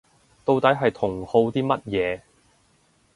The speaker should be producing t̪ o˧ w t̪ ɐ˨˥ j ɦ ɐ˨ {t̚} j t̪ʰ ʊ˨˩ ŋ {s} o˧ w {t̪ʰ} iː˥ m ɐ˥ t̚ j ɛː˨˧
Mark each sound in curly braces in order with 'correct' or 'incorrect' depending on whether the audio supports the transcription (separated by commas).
incorrect, incorrect, incorrect